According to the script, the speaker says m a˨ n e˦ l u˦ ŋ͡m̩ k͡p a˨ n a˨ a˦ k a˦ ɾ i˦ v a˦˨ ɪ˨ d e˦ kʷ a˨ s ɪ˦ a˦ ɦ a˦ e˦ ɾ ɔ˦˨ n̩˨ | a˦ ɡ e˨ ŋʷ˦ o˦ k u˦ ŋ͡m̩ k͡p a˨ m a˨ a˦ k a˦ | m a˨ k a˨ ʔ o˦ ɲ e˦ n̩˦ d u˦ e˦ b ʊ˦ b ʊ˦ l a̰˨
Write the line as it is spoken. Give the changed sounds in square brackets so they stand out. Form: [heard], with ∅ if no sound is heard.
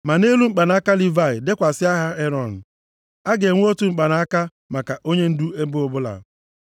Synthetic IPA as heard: m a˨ n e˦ l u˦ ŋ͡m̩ k͡p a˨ n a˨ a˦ k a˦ [l] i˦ v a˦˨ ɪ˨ d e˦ kʷ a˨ s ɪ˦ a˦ ɦ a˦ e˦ ɾ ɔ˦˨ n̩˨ | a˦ ɡ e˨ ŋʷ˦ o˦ [t] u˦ ŋ͡m̩ k͡p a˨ [n] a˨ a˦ k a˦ | m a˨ k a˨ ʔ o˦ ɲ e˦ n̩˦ d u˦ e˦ b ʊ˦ b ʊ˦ l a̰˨